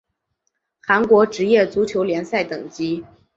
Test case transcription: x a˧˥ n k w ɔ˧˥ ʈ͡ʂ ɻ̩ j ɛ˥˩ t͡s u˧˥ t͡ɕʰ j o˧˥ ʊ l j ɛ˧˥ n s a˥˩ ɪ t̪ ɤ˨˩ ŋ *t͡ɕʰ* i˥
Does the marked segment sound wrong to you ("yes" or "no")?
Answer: yes